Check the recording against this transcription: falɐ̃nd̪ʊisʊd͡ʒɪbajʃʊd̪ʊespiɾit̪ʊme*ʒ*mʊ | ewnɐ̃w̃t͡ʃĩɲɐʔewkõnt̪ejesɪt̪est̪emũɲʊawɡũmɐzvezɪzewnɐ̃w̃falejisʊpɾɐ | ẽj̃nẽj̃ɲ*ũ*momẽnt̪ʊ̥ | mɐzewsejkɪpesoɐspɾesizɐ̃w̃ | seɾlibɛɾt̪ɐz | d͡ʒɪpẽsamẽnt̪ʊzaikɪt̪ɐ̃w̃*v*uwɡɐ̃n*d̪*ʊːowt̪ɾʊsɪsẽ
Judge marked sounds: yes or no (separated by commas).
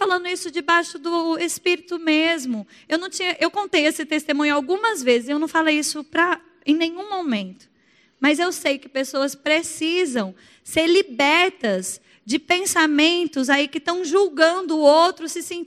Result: no, yes, no, yes